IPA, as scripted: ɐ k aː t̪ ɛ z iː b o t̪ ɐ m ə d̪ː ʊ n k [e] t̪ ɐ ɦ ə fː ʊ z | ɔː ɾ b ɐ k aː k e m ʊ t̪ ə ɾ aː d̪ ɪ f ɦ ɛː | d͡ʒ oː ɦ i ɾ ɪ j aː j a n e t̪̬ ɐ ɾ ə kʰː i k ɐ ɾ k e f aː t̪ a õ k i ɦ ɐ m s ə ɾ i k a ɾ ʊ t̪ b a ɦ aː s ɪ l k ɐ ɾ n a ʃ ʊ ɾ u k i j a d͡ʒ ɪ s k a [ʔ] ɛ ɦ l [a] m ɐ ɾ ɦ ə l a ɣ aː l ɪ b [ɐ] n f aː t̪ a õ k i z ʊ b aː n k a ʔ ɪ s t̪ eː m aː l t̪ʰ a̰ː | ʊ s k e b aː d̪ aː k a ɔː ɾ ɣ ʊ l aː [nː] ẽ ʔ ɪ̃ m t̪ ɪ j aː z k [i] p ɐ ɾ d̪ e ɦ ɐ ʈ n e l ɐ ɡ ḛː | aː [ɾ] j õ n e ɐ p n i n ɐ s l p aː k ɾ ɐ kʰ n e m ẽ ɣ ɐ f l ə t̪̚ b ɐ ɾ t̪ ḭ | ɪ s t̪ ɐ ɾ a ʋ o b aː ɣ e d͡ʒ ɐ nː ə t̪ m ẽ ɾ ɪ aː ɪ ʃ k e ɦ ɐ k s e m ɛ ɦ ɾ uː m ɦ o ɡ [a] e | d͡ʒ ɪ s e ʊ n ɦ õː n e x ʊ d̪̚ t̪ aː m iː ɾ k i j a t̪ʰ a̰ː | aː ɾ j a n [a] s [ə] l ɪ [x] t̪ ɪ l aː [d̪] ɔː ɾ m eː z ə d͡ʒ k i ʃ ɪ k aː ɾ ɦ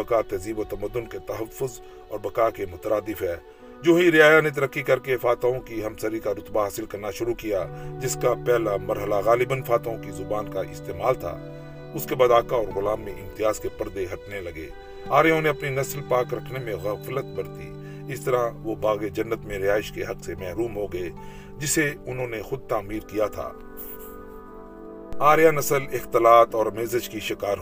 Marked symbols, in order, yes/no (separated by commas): yes, no, yes, no, no, no, yes, no, no, yes, yes, no